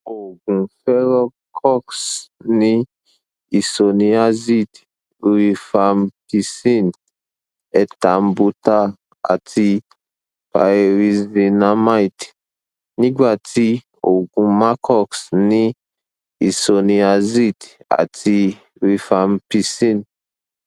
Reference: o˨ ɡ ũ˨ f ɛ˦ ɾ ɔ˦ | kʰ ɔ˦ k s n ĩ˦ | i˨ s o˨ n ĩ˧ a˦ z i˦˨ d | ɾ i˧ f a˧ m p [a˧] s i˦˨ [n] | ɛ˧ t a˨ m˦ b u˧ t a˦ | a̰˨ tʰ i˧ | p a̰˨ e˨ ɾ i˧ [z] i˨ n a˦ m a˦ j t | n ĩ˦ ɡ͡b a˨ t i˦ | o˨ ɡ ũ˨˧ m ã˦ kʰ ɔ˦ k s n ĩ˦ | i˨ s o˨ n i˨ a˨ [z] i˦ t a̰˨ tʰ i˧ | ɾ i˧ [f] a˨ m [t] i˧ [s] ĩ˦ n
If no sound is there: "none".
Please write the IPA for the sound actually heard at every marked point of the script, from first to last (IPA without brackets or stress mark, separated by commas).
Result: i˧, n, z, z, f, p, s